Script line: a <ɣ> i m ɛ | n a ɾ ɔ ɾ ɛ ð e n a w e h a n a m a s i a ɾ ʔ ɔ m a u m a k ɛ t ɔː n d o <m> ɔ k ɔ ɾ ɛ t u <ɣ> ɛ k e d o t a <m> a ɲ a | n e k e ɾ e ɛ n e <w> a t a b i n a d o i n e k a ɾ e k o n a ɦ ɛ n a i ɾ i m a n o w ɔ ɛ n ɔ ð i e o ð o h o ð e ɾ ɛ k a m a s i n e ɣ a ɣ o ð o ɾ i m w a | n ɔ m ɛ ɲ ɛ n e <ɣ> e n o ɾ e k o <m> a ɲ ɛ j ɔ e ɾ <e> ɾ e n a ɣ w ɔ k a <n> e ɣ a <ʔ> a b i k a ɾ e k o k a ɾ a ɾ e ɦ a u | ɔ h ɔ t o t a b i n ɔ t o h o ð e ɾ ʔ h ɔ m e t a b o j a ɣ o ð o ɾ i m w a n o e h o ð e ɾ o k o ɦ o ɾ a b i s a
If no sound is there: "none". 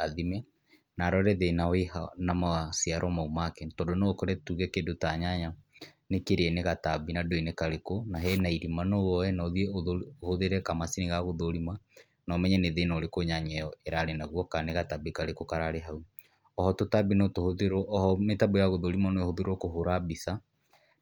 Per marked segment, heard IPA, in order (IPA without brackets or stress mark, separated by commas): ð, n, ɣ, ɲ, ɣ, ð, ɲ, a, n, t